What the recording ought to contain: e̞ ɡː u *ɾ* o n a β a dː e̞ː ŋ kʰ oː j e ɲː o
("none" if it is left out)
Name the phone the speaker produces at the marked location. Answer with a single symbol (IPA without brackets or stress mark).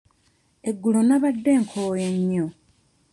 l